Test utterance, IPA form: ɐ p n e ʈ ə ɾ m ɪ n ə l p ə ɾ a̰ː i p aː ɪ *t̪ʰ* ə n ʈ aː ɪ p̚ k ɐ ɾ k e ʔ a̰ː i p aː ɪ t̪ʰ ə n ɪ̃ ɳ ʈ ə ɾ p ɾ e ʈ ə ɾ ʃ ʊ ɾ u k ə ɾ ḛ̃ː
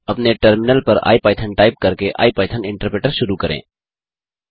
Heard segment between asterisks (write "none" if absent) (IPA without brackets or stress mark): t̪ʰ